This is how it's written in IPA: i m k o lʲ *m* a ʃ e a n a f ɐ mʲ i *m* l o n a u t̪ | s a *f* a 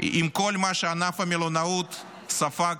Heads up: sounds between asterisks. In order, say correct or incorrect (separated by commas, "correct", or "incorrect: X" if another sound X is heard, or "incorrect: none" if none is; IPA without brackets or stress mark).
correct, incorrect: none, correct